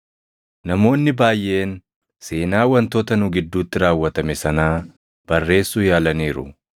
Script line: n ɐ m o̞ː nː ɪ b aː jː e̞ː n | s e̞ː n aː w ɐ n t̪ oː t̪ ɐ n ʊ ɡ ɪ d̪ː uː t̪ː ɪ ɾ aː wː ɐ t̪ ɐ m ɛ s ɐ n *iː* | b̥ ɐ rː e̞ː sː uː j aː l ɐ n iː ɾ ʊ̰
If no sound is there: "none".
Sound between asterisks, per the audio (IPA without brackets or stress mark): aː